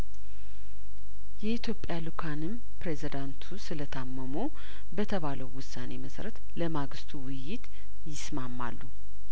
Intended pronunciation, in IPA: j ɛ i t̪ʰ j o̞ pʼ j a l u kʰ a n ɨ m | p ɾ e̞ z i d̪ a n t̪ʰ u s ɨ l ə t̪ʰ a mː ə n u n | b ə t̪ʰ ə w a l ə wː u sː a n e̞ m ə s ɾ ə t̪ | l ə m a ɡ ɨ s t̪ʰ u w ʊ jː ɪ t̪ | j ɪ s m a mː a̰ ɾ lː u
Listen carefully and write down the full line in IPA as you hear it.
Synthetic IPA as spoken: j ɛ i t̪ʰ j o̞ pʼ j a l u kʰ a n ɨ m | p ɾ e̞ z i d̪ a n t̪ʰ u s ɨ l ə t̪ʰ a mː ə m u | b ə t̪ʰ ə β a l ə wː ʊ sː a n e̞ m ə s ɾ ə t̪ | l ə m a ɡ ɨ s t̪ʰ u w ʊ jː ɪ t̪ | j ɪ s m a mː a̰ lː u